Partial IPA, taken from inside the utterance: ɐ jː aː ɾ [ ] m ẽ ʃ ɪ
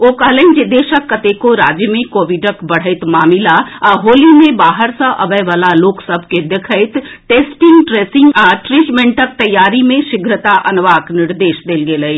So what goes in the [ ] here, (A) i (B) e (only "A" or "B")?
A